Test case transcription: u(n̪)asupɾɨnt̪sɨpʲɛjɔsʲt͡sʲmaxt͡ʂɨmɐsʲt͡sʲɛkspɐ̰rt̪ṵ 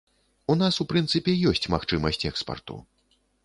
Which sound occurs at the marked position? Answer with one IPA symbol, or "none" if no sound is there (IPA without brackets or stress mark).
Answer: n̪